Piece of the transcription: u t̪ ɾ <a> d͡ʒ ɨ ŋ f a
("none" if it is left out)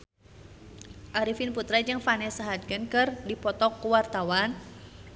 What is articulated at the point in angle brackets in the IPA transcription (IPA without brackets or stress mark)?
a